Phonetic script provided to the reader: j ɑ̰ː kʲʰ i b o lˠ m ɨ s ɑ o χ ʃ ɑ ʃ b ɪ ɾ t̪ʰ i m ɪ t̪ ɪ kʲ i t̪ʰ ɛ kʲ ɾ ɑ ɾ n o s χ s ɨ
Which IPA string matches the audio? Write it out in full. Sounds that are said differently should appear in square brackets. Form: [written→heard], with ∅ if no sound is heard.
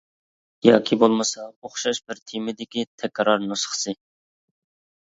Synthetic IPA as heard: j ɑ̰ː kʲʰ i b o lˠ m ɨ s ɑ o χ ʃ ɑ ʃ b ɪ ɾ t̪ʰ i m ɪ [t̪→d̪] ɪ kʲ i t̪ʰ ɛ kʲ ɾ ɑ ɾ n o s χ s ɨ